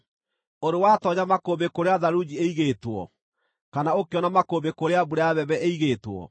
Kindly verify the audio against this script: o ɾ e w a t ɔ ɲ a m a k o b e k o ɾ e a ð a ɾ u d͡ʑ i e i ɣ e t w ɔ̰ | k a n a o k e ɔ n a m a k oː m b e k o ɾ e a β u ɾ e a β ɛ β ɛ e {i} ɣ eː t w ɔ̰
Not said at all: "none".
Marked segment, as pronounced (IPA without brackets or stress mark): i